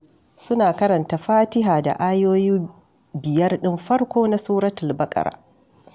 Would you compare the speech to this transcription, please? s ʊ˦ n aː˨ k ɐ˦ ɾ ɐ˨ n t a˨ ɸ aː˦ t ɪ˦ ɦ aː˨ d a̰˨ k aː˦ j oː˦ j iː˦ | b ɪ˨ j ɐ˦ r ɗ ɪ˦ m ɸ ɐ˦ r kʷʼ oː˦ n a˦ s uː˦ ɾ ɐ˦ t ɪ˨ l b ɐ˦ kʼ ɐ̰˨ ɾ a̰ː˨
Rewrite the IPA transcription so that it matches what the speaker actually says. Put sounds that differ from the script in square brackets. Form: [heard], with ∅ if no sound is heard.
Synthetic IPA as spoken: s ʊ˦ n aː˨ k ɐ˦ ɾ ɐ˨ n t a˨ ɸ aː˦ t ɪ˦ ɦ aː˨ d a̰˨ [ʔ] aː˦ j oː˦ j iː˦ | b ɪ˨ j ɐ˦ r ɗ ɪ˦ m ɸ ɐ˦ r [kʷ] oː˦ n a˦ s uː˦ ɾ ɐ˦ t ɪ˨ l b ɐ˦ kʼ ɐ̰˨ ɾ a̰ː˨